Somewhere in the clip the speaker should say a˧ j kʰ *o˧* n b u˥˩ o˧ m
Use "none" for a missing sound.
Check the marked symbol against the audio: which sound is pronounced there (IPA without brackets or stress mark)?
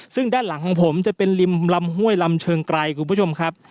u˧